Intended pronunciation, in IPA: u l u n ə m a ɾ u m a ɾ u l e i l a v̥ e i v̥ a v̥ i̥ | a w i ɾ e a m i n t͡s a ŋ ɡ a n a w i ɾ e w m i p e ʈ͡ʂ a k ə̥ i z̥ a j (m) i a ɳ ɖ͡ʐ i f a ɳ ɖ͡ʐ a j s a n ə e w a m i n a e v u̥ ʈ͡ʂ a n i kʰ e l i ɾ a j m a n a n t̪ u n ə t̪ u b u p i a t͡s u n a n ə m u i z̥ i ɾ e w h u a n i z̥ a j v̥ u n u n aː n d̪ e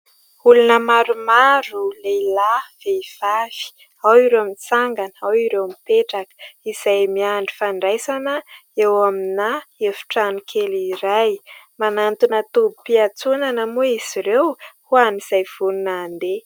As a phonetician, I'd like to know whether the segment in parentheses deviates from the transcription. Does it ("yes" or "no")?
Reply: no